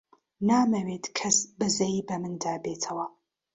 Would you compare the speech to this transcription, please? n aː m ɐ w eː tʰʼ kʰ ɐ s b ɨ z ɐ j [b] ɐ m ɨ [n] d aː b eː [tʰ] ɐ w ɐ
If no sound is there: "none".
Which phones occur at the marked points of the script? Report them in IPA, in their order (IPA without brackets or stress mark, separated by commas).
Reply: b, n, tʰ